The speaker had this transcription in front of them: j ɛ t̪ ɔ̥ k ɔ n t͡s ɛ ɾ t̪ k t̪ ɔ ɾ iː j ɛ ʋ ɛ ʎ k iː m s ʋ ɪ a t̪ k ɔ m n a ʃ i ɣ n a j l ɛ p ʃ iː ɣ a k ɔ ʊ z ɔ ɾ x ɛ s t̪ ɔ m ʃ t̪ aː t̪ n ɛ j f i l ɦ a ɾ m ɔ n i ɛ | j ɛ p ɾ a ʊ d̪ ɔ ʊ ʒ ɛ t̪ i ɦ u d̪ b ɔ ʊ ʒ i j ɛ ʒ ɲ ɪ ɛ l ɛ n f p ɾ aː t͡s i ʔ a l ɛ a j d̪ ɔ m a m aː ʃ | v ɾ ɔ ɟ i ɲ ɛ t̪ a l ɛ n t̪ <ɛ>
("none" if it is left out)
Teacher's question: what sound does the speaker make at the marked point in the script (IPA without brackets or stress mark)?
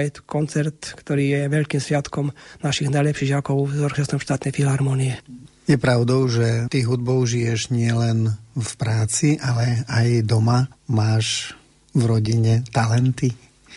i